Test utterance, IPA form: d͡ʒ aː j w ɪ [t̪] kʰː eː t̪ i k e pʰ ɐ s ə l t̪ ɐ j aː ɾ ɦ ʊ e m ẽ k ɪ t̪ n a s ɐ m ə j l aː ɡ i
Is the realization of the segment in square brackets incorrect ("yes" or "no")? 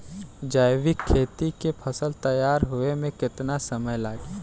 yes